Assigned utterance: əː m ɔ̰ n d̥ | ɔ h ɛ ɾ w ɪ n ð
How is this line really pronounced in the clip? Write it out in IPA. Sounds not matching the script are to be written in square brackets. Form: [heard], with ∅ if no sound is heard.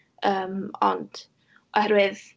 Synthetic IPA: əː m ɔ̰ n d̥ | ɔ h ɛ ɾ w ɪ [∅] ð